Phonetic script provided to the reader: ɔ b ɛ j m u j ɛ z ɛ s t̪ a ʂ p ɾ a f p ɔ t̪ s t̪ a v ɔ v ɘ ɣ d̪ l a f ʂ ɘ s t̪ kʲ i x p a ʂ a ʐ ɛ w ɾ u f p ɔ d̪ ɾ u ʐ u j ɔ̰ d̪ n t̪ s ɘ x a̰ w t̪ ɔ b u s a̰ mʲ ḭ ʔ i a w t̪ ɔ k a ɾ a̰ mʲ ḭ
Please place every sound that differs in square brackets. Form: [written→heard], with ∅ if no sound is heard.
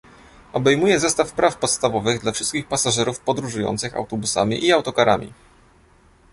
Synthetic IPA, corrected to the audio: ɔ b ɛ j m u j ɛ z ɛ s t̪ a [ʂ→f] p ɾ a f p ɔ t̪ s t̪ a v ɔ v ɘ ɣ d̪ l a f ʂ ɘ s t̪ kʲ i x p a [ʂ→s] a ʐ ɛ [w→∅] ɾ u f p ɔ d̪ ɾ u ʐ u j ɔ̰ [d̪→∅] n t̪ s ɘ x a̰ w t̪ ɔ b u s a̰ mʲ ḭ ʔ i a w t̪ ɔ k a ɾ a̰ mʲ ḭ